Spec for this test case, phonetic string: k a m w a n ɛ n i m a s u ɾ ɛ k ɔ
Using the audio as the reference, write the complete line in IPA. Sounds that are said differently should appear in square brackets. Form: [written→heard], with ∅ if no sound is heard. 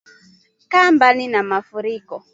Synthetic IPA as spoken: k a m [w→b] a n [ɛ→i] n [i→a] m a [s→f] u ɾ [ɛ→i] k ɔ